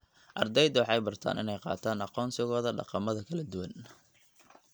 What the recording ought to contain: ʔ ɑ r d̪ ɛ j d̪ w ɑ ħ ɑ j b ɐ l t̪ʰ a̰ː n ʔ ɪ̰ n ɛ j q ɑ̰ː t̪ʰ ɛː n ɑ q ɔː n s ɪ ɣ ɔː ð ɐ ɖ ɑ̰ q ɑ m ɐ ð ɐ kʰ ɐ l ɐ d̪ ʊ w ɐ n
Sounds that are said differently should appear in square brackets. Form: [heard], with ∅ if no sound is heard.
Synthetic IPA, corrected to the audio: ʔ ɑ r d̪ ɛ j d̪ w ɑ ħ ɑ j b ɐ [r] t̪ʰ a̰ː n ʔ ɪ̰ n ɛ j q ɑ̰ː t̪ʰ [aː] n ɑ q ɔː n s ɪ ɣ ɔː ð ɐ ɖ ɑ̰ q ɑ m ɐ ð ɐ kʰ ɐ l ɐ d̪ ʊ w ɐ n